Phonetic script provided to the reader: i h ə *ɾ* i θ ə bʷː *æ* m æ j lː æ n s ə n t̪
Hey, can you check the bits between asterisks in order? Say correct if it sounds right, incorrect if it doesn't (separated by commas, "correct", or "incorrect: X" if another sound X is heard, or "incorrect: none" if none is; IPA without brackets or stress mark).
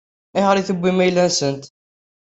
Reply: correct, incorrect: i